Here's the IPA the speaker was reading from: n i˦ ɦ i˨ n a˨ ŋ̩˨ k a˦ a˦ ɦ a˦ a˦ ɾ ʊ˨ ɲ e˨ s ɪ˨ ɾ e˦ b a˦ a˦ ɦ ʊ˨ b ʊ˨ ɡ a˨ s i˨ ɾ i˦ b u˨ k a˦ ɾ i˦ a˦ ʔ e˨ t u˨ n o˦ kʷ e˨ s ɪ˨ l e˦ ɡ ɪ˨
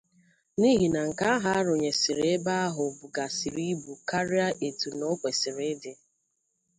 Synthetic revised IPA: n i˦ ɦ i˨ n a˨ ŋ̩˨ k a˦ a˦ ɦ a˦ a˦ ɾ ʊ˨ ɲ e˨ s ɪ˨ ɾ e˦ b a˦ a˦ ɦ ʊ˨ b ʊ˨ ɡ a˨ s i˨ ɾ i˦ b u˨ k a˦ ɾ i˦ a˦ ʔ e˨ t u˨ n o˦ kʷ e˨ s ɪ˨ ɾ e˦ d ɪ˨